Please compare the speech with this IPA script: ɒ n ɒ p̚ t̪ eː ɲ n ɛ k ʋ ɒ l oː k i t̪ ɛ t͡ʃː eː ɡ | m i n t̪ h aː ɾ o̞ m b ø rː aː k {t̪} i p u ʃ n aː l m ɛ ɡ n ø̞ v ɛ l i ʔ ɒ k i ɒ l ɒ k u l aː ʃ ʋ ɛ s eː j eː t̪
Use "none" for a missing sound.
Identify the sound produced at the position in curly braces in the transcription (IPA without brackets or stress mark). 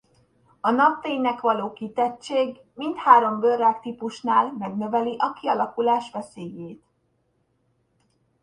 t̪